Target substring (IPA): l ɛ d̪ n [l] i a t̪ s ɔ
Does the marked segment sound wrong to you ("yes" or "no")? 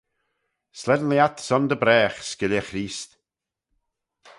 no